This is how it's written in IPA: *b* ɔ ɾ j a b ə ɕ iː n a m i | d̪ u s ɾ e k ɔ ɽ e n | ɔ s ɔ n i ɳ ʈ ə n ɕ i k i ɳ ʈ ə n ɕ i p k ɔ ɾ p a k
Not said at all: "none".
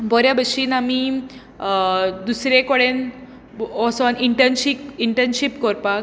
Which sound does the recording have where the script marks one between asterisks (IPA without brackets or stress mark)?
b